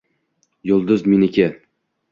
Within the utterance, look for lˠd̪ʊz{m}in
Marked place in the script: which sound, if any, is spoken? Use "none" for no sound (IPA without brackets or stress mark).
m